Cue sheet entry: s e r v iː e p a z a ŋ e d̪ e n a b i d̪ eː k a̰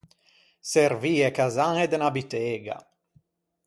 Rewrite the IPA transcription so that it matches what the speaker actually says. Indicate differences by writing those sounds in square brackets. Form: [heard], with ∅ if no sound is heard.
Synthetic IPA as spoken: s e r v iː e [k] a z a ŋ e d̪ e n a b i [t̪] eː [ɡ] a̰